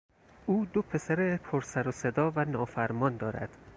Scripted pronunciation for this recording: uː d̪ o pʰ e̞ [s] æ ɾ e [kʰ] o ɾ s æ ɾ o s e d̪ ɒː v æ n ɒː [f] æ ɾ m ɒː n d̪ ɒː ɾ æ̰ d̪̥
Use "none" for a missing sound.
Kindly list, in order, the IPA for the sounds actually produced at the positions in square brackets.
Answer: s, pʰ, f

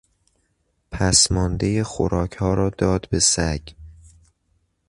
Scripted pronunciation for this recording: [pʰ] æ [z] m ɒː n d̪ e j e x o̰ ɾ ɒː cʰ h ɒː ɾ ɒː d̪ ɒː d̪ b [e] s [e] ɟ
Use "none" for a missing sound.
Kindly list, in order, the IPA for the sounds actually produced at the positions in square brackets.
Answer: pʰ, s, e, æ

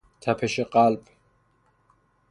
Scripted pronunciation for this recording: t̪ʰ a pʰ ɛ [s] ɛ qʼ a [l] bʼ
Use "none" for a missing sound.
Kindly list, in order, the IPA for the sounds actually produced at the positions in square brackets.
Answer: ʃ, l

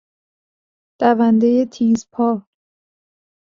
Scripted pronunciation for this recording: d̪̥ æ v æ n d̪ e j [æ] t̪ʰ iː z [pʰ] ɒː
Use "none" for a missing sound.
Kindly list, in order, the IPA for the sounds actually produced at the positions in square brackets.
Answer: e, pʰ

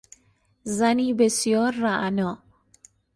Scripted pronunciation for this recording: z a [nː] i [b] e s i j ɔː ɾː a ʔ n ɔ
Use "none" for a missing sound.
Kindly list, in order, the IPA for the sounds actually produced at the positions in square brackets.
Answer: n, b

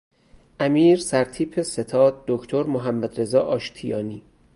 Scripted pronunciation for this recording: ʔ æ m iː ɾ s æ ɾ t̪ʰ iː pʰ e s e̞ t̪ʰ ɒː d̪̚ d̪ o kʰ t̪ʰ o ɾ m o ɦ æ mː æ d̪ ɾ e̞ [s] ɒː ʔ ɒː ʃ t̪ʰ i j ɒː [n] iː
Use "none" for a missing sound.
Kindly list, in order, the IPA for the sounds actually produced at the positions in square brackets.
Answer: z, n

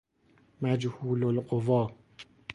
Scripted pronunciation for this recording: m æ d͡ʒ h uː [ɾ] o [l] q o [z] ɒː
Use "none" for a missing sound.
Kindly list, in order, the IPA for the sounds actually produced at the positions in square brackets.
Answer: l, l, v

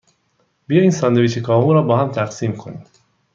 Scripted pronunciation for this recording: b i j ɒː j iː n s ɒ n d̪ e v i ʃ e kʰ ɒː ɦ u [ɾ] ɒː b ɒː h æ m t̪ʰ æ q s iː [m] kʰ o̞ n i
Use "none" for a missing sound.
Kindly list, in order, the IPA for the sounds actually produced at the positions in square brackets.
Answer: ɾ, m

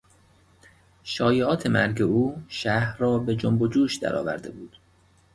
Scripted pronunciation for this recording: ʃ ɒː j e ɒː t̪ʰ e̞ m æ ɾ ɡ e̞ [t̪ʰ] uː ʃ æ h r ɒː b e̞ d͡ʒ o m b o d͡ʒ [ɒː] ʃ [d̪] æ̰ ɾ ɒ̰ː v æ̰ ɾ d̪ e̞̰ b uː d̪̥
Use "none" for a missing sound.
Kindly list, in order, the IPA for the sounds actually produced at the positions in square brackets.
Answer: none, uː, d̪

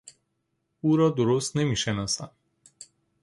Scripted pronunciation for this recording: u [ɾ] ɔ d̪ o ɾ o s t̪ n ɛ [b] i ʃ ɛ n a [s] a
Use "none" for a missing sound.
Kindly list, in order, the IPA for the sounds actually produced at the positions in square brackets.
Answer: ɾ, m, s

